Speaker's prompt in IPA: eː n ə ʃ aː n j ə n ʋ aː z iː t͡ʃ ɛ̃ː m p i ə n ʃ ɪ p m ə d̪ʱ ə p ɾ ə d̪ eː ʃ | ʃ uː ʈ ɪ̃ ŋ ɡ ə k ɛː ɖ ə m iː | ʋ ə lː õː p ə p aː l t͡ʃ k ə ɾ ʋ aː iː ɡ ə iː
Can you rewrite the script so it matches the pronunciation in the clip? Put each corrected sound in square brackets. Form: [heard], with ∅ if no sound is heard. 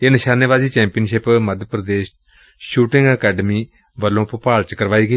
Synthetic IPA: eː n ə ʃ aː n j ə [∅] ʋ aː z iː t͡ʃ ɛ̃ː m p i ə n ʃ ɪ p m ə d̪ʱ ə p ɾ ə d̪ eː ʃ | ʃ uː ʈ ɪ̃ ŋ ɡ ə k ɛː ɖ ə m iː | ʋ ə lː õː p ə p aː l t͡ʃ k ə ɾ ʋ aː iː ɡ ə iː